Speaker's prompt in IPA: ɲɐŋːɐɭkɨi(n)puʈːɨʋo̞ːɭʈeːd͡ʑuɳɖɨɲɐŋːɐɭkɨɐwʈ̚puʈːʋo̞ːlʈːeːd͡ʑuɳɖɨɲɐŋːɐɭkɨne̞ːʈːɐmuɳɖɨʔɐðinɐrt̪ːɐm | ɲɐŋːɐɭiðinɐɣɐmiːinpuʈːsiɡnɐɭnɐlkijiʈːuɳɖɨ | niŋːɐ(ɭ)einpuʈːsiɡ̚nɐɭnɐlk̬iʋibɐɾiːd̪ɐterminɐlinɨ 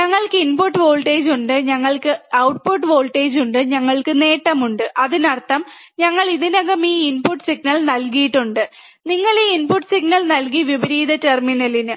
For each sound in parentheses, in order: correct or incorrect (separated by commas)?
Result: correct, correct